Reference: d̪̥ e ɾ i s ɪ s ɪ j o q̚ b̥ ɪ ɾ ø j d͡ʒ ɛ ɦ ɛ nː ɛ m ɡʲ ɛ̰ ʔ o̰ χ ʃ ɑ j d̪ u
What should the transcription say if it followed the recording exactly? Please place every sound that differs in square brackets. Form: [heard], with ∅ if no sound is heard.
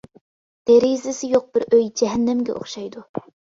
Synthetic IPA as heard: d̪̥ e ɾ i [z] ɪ s ɪ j o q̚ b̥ ɪ ɾ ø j d͡ʒ ɛ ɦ ɛ nː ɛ m ɡʲ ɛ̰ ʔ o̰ χ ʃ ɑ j d̪ u